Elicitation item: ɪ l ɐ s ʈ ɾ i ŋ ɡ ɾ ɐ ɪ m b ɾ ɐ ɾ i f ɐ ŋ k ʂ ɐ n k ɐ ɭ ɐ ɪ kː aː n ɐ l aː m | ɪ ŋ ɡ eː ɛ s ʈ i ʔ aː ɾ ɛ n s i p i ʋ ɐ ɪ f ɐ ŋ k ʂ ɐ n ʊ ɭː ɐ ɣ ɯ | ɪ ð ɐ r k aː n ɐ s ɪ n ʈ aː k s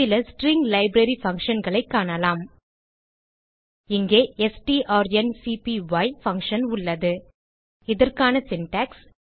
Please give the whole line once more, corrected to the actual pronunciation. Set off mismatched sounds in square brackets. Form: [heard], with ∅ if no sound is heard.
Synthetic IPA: ɪ l ɐ s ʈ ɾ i ŋ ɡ [l] ɐ ɪ [∅] b ɾ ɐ ɾ i f ɐ ŋ k ʂ ɐ n [ɡ] ɐ ɭ ɐ ɪ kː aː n ɐ l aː m | ɪ ŋ ɡ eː ɛ s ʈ i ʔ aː ɾ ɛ n s i p i ʋ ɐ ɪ f ɐ ŋ k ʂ ɐ n ʊ ɭː ɐ [ð] ɯ | ɪ ð ɐ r k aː n ɐ s ɪ n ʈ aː k s

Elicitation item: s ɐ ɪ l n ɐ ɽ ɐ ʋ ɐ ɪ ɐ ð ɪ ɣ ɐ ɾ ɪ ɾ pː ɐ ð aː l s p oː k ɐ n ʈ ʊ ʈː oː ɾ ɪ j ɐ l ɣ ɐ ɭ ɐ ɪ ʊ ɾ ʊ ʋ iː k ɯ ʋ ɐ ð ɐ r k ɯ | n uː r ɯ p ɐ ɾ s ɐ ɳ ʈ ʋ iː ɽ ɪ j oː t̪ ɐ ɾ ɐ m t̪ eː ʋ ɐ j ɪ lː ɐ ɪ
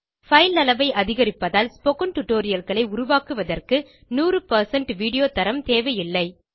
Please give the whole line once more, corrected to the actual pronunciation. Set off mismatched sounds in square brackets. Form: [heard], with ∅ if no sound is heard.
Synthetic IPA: [f] ɐ ɪ l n ɐ [l] ɐ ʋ ɐ ɪ ɐ ð ɪ ɣ ɐ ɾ ɪ [∅] pː ɐ ð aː l s p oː k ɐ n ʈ ʊ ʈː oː ɾ ɪ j ɐ l ɣ ɐ ɭ ɐ ɪ ʊ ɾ ʊ ʋ [aː] k ɯ ʋ ɐ ð ɐ r k ɯ | n uː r ɯ p ɐ ɾ s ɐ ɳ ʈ ʋ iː ɽ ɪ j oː t̪ ɐ ɾ ɐ m t̪ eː ʋ ɐ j ɪ lː ɐ ɪ

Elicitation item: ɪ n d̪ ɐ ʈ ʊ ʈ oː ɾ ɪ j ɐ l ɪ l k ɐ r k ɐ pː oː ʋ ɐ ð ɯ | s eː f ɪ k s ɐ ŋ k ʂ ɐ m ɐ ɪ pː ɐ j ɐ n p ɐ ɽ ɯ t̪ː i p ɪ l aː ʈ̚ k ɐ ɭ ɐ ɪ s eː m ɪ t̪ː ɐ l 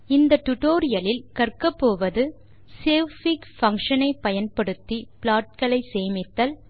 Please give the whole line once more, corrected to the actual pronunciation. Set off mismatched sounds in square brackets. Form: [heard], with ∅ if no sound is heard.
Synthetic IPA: ɪ n d̪ ɐ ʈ ʊ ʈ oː ɾ ɪ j ɐ l ɪ l k ɐ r k ɐ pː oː ʋ ɐ ð ɯ | s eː f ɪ k [f] ɐ ŋ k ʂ ɐ [n] ɐ ɪ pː ɐ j ɐ n p ɐ ɽ ɯ t̪ː i p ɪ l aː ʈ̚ k ɐ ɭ ɐ ɪ s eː m ɪ t̪ː ɐ l

